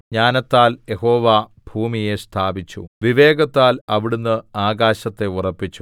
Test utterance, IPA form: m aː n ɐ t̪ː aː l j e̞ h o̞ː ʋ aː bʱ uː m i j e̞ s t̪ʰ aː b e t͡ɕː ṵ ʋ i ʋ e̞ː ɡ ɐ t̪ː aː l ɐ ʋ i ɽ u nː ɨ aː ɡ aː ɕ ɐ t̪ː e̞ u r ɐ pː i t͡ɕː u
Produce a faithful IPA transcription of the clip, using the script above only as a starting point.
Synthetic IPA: ɲ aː n ɐ t̪ː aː l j e̞ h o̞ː ʋ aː bʱ uː m i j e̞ s t̪ʰ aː b i t͡ɕː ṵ ʋ i ʋ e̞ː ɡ ɐ t̪ː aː l ɐ ʋ i ɽ u nː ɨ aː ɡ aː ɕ ɐ t̪ː e̞ u r ɐ pː i t͡ɕː u